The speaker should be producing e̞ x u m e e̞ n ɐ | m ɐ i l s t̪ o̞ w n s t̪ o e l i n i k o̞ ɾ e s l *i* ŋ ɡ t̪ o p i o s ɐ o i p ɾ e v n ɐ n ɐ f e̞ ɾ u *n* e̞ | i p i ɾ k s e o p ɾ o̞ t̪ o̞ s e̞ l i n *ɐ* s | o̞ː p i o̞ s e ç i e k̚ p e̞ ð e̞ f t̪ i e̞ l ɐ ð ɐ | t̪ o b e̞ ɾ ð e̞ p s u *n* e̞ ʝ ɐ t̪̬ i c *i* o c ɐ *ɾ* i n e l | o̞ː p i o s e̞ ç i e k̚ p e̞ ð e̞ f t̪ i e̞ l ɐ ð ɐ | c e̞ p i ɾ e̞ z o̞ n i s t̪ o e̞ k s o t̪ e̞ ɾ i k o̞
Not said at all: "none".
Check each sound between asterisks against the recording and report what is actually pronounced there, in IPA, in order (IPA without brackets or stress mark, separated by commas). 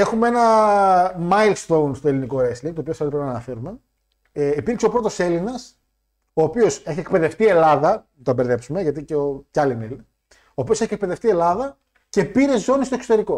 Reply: i, m, ɐ, m, e, l